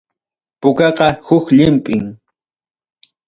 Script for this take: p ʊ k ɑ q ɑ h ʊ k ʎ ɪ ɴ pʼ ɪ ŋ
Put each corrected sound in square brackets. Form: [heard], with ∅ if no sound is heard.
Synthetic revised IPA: p ʊ k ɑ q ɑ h ʊ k ʎ ɪ [m] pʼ ɪ ŋ

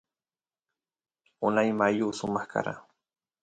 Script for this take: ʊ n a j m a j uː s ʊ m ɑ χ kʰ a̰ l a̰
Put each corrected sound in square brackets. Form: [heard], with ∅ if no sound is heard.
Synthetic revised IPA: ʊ n a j m a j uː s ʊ m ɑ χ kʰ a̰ [ɾ] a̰

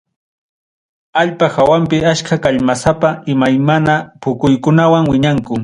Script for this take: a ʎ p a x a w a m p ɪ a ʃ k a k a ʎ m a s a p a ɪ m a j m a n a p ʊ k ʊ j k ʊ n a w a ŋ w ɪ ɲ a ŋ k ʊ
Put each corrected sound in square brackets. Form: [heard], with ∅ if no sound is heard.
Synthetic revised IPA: a ʎ p a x a w a m p ɪ a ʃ k a k a ʎ m a s a p a ɪ m a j m a n a p ʊ k ʊ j k ʊ n a w a ŋ w ɪ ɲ a ŋ k ʊ

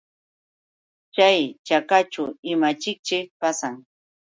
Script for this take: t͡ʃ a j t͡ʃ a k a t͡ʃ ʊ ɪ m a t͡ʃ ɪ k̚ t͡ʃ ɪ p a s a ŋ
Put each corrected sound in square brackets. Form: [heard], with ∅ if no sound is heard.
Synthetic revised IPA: t͡ʃ a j t͡ʃ a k a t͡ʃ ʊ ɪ m a t͡ʃ ɪ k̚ t͡ʃ ɪ p a s a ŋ

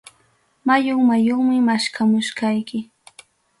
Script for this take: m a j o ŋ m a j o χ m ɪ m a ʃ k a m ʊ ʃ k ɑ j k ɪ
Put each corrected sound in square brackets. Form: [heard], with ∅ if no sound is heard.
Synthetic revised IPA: m a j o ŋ m a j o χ m ɪ m a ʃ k a m ʊ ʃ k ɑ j k ɪ

